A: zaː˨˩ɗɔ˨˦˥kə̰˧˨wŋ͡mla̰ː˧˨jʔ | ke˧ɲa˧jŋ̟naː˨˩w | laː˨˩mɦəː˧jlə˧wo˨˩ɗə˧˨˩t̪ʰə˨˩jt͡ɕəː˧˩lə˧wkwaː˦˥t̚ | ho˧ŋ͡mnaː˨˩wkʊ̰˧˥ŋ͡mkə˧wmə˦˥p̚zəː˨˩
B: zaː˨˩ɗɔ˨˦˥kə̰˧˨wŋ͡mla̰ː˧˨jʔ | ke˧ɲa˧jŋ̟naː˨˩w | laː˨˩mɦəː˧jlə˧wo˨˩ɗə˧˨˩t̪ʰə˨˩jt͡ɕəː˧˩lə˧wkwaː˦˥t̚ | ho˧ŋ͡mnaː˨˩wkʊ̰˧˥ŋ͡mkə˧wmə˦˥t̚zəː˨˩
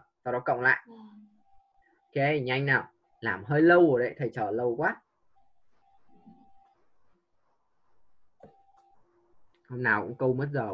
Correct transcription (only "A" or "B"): B